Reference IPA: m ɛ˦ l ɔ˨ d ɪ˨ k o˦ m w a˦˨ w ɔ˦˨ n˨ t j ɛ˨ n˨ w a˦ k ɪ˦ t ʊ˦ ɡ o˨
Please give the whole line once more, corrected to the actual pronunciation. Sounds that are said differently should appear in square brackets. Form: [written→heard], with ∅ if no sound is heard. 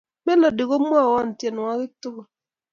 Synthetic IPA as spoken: m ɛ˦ l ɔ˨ d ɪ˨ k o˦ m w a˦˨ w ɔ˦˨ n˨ t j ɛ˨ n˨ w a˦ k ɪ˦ t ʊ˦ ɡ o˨